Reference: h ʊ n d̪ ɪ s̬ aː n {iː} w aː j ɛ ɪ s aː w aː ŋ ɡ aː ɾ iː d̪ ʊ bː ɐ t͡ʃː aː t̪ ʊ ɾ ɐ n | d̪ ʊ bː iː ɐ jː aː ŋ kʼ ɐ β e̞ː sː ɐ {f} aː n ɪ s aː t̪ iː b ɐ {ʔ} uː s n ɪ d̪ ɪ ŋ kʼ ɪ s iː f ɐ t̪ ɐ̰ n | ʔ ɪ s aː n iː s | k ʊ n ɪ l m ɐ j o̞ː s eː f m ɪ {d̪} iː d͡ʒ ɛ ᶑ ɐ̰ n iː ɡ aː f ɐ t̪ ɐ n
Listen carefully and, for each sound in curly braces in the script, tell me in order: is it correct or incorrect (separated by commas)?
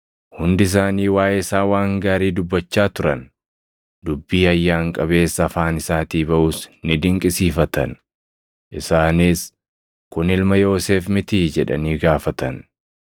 correct, correct, correct, incorrect